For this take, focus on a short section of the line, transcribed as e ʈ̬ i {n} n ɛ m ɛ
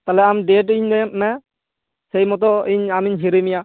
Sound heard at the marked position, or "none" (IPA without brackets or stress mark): ɲ